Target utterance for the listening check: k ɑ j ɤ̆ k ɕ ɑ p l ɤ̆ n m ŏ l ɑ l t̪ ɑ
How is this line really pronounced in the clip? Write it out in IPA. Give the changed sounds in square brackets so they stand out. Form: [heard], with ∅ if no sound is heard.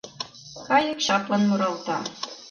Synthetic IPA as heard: k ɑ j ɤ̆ k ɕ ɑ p l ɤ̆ n m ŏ [ɾ] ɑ l t̪ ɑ